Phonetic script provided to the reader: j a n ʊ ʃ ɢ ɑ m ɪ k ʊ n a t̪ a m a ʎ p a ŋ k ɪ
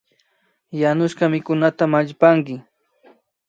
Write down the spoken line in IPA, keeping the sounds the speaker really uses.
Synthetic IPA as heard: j a n ʊ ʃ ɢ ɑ m ɪ k ʊ n a t̪ a m a ʎ p a ŋ k ɪ